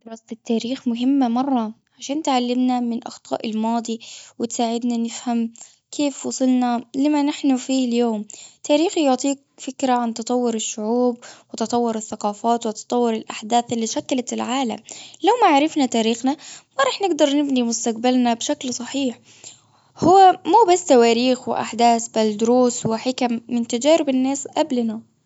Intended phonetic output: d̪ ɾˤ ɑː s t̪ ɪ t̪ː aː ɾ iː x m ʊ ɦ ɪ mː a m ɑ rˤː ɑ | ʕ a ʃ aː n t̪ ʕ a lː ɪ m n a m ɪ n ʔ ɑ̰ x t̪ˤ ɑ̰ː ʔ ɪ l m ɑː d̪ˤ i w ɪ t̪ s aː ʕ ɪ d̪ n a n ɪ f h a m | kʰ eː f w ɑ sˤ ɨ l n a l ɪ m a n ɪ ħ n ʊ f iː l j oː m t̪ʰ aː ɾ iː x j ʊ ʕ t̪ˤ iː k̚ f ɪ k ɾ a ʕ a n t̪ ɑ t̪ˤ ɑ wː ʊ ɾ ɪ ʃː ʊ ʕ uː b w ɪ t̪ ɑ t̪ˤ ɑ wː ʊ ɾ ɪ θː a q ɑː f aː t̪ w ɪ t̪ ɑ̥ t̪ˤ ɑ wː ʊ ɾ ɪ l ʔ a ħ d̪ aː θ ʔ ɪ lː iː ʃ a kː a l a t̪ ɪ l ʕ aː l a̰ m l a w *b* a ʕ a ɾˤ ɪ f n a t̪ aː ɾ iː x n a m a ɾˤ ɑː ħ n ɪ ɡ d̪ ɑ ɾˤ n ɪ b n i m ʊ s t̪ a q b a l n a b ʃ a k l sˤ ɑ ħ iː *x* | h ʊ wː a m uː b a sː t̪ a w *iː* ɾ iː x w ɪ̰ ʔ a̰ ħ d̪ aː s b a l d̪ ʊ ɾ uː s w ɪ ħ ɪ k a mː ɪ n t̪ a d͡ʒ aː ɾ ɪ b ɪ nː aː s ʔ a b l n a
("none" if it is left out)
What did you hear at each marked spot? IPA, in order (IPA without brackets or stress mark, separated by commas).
m, ħ, aː